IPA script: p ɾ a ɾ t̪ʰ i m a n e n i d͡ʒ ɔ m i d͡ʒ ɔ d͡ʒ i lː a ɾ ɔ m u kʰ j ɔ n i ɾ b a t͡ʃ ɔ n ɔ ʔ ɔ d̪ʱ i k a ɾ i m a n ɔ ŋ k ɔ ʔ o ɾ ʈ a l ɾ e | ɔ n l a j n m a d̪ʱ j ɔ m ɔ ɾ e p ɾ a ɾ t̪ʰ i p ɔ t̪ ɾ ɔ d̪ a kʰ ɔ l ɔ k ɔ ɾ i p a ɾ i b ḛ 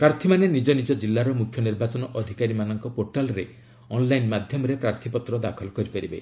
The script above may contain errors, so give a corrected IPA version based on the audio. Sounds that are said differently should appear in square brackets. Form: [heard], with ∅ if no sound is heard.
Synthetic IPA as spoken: p ɾ a ɾ t̪ʰ i m a n e n i d͡ʒ ɔ [n] i d͡ʒ ɔ d͡ʒ i lː a ɾ ɔ m u kʰ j ɔ n i ɾ b a t͡ʃ ɔ n ɔ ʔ ɔ d̪ʱ i k a ɾ i m a n ɔ ŋ k ɔ [p] o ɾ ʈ a l ɾ e | ɔ n l a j n m a d̪ʱ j ɔ m ɔ ɾ e p ɾ a ɾ t̪ʰ i p ɔ t̪ ɾ ɔ d̪ a kʰ ɔ l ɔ k ɔ ɾ i p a ɾ i b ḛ